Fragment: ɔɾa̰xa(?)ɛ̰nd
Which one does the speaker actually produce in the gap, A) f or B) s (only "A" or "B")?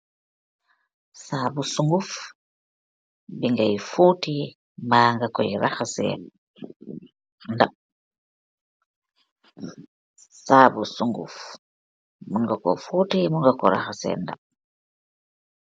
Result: B